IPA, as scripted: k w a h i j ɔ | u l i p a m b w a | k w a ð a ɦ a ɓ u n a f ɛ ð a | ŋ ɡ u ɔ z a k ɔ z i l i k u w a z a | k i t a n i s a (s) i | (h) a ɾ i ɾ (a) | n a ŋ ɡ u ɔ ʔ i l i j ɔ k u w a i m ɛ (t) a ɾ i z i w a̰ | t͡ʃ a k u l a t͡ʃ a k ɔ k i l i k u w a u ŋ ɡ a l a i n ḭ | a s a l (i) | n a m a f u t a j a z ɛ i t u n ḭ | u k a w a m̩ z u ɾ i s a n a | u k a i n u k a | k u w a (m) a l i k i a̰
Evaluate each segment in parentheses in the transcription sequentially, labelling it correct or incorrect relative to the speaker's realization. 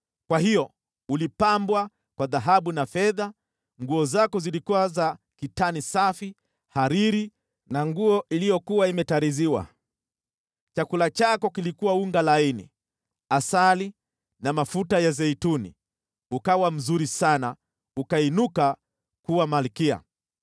incorrect, correct, incorrect, correct, correct, correct

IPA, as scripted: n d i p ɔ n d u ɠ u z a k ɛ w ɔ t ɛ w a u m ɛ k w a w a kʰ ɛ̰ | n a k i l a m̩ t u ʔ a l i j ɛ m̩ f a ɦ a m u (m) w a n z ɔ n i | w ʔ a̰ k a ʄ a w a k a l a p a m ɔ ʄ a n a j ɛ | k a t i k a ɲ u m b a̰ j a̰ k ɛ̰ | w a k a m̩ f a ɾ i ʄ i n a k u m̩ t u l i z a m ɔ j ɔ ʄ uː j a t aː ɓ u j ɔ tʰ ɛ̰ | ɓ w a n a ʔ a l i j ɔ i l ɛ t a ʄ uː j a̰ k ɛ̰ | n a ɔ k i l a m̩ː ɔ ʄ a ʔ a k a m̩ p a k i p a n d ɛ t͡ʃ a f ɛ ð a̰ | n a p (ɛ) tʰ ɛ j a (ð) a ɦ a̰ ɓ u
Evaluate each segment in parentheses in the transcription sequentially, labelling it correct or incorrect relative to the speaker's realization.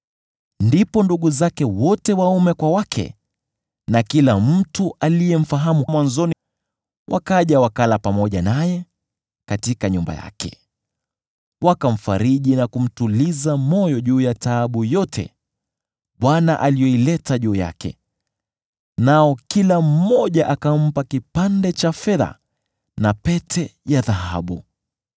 correct, correct, correct

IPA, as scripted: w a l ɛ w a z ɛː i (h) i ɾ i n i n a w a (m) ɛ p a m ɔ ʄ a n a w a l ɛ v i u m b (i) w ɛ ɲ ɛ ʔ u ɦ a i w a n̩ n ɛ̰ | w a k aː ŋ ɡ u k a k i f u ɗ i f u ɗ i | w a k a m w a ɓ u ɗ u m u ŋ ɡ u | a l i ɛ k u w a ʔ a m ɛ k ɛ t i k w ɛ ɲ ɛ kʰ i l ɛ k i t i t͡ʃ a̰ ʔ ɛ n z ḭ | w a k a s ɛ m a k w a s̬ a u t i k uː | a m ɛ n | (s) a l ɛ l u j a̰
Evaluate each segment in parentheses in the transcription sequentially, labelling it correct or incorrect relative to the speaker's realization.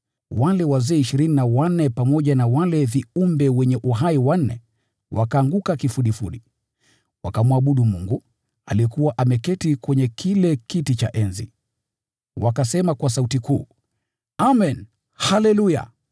incorrect, incorrect, incorrect, incorrect

